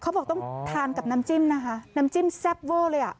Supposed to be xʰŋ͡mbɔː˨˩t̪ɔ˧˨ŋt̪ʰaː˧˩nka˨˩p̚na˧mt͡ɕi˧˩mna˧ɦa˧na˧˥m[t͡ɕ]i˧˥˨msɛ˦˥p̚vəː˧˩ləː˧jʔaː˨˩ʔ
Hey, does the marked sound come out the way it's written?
yes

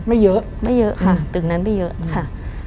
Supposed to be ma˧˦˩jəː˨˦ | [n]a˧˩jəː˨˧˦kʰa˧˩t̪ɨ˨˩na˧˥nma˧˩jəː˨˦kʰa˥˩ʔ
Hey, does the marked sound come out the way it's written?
no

